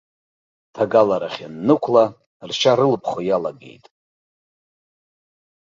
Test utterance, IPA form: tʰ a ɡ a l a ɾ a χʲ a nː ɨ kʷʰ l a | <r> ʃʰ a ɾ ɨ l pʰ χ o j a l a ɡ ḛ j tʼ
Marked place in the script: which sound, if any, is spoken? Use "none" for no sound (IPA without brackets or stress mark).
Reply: r